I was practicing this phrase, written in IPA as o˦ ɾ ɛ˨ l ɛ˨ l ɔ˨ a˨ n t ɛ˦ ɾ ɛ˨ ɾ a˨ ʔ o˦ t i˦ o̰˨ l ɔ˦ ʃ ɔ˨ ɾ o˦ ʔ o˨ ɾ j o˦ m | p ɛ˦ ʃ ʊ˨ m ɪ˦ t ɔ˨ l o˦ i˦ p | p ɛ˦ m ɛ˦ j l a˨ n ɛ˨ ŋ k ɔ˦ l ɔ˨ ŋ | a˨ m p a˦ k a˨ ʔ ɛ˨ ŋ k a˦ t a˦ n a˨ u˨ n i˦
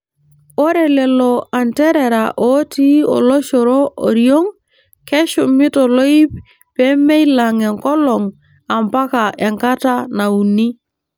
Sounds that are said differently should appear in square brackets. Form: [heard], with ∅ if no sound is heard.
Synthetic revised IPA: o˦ ɾ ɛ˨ l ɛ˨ l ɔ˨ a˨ n t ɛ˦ ɾ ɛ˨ ɾ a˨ ʔ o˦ t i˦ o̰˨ l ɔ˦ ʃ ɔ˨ ɾ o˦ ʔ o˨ ɾ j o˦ [ŋ] | [k] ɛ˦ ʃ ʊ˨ m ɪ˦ t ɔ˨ l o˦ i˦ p | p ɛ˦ m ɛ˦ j l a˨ [ŋ] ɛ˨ ŋ k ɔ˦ l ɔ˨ ŋ | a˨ m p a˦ k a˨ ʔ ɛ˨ ŋ k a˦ t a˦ n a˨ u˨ n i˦